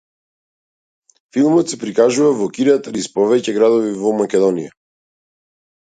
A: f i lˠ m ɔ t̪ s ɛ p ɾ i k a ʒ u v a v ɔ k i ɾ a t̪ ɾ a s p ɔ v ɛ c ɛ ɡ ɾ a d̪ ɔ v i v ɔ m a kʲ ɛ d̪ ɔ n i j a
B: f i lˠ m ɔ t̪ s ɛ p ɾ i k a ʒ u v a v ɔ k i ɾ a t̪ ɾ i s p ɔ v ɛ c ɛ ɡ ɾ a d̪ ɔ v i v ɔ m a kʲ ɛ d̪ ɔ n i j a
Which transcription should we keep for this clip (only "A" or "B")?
B